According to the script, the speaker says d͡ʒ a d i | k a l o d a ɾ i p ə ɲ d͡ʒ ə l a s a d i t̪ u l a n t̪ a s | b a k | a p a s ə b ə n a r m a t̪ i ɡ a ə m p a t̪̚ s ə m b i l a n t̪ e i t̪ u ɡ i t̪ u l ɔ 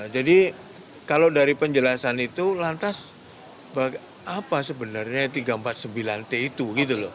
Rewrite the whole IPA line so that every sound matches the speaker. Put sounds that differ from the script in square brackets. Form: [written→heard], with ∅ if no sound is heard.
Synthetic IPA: d͡ʒ a d i | k a l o d a ɾ i p ə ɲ d͡ʒ ə l a s a [d→n] i t̪ u l a n t̪ a s | b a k | a p a s ə b ə n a r [m→ɲ] a t̪ i ɡ a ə m p a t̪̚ s ə m b i l a n t̪ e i t̪ u ɡ i t̪ u l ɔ